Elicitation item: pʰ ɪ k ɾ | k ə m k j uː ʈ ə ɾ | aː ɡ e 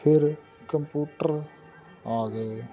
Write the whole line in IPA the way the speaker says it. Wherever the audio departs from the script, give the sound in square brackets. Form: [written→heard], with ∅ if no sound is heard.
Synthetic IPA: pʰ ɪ [k→∅] ɾ | k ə m [k→p] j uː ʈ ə ɾ | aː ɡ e